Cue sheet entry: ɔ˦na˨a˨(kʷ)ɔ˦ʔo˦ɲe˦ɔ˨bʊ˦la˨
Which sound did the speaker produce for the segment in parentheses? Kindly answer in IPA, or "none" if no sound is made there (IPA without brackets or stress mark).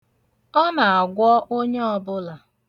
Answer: ɡʷ